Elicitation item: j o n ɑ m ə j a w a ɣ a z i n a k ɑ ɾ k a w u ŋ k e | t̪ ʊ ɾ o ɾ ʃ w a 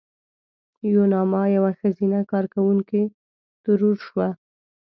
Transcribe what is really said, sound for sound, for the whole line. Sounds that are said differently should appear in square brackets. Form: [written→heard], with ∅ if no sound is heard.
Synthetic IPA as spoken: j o n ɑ m [ə→ɑ] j a w a [ɣ→x] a z i n a k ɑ ɾ k a w u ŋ k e | t̪ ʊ ɾ [o→u] ɾ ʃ w a